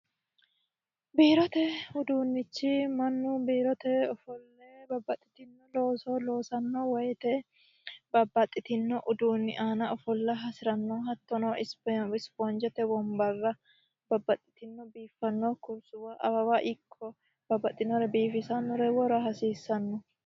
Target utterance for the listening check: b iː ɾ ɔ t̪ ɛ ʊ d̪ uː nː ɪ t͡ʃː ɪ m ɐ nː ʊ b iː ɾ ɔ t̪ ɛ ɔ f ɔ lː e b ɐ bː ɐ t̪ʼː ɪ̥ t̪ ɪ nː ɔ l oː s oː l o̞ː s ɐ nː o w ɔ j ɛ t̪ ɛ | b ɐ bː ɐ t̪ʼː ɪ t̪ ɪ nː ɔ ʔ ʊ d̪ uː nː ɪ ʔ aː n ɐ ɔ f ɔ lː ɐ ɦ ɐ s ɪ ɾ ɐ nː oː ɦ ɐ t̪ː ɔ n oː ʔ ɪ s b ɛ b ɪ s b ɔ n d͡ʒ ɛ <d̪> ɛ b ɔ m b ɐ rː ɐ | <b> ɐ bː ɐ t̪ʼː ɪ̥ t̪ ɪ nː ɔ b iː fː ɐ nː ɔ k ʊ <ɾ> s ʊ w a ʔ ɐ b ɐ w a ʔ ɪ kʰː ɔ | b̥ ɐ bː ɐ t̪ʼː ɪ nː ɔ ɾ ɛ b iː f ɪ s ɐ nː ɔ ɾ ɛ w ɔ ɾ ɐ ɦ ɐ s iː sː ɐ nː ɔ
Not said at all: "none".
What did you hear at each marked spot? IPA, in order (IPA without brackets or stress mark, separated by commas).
t̪, b, ɾ